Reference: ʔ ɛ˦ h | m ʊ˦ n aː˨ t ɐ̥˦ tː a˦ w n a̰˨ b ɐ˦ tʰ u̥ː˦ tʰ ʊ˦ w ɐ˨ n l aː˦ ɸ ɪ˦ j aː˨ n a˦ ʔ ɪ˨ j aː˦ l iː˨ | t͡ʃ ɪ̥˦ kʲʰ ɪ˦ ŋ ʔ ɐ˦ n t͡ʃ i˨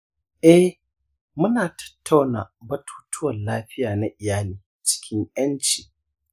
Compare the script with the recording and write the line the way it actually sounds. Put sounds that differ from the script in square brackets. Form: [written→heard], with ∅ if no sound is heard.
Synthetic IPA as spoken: ʔ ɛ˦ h | m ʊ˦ n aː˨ t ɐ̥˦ tː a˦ w n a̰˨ b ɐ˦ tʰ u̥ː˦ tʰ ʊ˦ w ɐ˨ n l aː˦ ɸ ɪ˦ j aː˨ n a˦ ʔ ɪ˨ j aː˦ l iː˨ | t͡ʃ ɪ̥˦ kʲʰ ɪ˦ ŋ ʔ ɐ˦ n t͡ʃ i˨